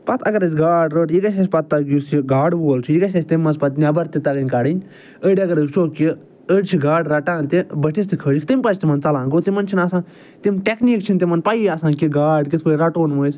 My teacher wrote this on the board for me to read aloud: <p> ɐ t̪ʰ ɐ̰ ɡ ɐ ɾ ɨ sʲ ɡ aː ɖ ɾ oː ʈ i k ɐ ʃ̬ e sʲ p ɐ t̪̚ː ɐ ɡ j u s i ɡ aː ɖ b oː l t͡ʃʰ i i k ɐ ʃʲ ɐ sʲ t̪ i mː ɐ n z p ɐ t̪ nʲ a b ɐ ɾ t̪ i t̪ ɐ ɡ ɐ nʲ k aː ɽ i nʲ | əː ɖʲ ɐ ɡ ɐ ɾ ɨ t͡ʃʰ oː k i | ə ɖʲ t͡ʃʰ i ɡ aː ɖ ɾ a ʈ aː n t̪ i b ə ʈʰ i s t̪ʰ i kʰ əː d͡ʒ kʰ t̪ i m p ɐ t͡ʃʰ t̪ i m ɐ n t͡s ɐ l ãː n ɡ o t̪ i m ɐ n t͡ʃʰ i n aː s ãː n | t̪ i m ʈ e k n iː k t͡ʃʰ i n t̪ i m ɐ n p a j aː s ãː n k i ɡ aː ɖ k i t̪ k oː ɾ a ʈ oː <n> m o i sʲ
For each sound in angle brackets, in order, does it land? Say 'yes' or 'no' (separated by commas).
yes, yes